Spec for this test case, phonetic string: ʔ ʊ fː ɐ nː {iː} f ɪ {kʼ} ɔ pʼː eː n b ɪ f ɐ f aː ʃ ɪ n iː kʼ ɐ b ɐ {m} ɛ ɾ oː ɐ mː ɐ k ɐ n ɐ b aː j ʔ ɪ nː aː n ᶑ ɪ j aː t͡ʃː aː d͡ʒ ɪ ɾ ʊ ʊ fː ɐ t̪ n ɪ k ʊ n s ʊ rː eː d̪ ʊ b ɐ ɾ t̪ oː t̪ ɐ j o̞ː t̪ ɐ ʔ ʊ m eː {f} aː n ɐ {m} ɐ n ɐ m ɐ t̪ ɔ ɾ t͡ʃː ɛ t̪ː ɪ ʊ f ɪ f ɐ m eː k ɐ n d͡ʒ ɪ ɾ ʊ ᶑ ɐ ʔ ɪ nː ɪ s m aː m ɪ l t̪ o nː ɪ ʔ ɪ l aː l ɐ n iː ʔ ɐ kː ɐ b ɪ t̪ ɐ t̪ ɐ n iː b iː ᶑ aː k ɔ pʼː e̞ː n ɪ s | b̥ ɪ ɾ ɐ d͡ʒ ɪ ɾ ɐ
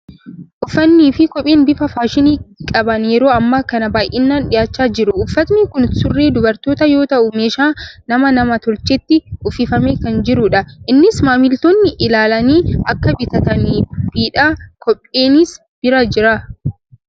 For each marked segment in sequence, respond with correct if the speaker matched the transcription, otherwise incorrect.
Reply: correct, incorrect, incorrect, incorrect, correct

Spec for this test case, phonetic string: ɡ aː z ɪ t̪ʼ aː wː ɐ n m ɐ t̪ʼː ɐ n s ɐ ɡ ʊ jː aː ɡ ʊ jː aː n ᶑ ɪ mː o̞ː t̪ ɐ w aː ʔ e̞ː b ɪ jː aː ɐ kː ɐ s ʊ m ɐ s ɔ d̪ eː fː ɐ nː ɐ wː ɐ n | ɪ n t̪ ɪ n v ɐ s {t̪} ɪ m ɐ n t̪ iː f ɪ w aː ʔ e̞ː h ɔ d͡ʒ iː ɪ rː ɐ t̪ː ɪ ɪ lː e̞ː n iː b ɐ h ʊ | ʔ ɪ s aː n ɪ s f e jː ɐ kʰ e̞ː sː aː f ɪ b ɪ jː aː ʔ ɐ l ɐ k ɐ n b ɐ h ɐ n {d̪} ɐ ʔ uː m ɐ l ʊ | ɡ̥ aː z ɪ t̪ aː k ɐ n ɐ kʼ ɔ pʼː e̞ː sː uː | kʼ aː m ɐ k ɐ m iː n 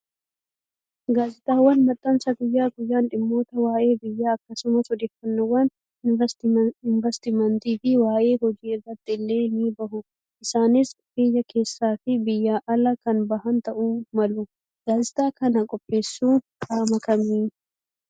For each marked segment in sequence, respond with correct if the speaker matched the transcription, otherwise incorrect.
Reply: correct, incorrect

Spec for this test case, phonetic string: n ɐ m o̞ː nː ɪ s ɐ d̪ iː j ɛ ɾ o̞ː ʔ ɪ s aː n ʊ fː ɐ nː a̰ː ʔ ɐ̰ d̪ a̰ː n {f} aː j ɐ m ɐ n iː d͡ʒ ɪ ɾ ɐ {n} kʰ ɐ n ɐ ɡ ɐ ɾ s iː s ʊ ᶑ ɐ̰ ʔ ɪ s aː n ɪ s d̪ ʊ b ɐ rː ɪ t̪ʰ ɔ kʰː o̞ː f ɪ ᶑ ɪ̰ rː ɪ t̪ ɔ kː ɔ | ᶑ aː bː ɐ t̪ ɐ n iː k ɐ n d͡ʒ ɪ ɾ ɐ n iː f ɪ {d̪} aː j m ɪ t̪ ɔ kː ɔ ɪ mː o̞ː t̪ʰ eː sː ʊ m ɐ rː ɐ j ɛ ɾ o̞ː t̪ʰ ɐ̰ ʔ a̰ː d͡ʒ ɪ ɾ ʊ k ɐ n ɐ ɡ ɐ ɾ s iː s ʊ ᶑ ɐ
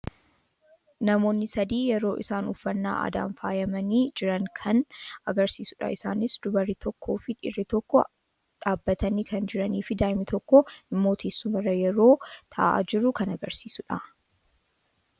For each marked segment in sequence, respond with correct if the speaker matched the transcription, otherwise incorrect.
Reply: correct, incorrect, correct

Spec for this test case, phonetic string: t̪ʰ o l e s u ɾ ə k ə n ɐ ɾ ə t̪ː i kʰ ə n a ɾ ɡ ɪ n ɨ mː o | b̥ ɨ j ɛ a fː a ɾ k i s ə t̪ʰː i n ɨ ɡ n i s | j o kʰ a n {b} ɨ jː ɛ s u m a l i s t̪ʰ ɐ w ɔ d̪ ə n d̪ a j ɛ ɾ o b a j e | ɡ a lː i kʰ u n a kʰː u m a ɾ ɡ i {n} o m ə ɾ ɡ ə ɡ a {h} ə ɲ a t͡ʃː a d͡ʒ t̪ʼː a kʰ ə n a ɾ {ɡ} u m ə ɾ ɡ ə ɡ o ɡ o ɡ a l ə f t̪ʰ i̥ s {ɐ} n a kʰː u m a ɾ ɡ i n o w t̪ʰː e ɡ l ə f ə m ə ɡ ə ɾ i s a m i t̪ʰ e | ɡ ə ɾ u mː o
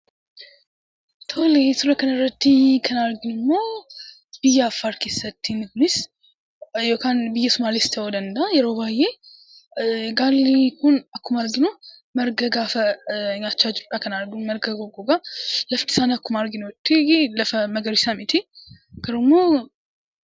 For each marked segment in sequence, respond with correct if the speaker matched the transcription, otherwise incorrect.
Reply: correct, correct, incorrect, correct, incorrect

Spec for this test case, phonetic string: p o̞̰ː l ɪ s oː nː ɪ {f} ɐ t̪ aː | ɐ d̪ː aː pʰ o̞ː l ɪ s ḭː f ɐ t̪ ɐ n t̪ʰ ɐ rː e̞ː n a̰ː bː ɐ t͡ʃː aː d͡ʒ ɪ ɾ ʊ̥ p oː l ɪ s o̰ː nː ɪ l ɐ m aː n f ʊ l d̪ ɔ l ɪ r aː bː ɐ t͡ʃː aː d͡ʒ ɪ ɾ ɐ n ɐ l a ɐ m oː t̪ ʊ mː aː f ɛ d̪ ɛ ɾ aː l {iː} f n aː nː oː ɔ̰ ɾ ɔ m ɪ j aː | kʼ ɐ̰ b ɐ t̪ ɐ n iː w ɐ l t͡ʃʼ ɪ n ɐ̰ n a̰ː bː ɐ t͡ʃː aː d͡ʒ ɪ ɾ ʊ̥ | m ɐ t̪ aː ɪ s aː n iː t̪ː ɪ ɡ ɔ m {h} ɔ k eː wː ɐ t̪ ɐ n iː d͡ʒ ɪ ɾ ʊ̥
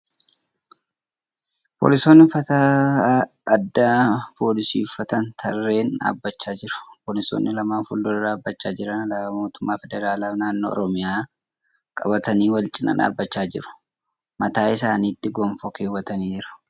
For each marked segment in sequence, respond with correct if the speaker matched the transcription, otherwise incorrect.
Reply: correct, incorrect, incorrect

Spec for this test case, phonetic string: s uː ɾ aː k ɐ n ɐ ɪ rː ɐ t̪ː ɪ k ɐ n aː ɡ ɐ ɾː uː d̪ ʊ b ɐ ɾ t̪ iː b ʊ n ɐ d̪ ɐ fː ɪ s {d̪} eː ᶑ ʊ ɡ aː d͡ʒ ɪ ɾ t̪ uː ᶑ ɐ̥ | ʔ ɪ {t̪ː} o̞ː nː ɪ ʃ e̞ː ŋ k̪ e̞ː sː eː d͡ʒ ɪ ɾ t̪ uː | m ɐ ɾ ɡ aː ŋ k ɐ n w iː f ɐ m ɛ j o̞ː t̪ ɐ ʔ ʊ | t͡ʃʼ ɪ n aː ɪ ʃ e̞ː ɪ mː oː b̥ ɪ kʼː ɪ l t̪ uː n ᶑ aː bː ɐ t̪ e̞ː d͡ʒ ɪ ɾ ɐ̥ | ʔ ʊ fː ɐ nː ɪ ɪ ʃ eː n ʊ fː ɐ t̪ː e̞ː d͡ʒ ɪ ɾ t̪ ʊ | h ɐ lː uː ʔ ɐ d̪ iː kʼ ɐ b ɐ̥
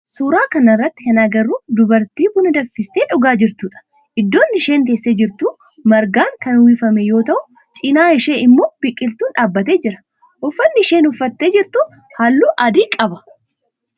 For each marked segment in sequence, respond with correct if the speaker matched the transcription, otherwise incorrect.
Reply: incorrect, incorrect

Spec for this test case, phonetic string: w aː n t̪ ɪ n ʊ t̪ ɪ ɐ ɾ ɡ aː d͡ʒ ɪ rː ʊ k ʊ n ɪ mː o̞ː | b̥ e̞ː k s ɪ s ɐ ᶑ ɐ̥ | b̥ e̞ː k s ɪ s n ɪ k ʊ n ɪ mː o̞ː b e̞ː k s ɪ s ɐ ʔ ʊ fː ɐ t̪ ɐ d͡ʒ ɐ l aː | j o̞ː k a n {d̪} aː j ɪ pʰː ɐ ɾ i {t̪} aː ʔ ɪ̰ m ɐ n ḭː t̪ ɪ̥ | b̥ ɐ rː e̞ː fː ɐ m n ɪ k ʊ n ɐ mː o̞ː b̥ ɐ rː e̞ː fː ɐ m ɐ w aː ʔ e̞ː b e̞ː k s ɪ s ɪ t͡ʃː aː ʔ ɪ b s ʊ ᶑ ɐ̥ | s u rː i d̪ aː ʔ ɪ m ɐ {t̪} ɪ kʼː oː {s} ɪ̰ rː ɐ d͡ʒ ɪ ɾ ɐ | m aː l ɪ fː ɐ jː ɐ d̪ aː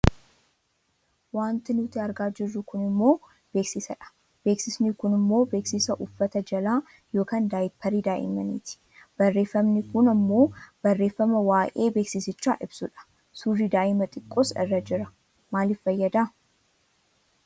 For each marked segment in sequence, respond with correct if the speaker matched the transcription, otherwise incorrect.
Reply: correct, incorrect, incorrect, correct

